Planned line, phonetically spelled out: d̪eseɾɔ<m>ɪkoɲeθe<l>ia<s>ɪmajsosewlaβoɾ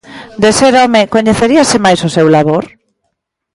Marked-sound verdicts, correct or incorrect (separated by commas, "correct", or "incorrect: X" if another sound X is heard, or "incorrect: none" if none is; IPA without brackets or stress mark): correct, incorrect: ɾ, correct